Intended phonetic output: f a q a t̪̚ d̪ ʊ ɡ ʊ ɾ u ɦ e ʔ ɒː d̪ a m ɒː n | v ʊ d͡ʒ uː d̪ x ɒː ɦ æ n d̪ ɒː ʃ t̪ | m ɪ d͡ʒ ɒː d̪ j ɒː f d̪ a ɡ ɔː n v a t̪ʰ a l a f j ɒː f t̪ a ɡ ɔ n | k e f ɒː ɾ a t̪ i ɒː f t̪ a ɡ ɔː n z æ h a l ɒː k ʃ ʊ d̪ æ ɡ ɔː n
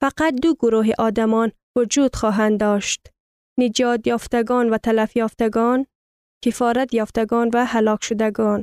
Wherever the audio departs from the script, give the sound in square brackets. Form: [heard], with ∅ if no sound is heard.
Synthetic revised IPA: f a q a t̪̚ d̪ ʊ ɡ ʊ ɾ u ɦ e ʔ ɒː d̪ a m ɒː n | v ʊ d͡ʒ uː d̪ x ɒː ɦ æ n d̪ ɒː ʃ t̪ | [n] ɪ d͡ʒ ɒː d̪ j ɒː f [t̪] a ɡ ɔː n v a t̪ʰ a l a f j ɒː f t̪ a ɡ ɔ n | k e f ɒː ɾ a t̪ [j] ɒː f t̪ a ɡ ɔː n [v] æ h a l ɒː k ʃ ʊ d̪ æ ɡ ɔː n